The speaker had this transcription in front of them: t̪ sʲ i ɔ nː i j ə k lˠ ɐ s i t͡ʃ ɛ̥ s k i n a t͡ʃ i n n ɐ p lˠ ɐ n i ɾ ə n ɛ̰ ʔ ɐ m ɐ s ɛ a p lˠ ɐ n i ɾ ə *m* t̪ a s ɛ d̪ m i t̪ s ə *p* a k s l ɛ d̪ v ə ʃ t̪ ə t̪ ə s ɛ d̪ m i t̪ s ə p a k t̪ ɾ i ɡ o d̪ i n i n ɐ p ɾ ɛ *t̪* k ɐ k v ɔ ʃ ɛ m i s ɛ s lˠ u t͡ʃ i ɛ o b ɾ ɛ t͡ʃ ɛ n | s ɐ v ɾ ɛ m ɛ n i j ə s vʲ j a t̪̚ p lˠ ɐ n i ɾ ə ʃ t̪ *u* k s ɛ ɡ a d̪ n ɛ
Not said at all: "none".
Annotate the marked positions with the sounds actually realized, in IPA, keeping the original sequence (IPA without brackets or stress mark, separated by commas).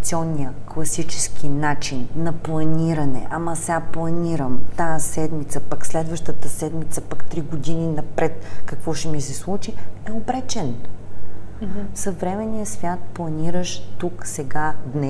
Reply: m, p, t̪, u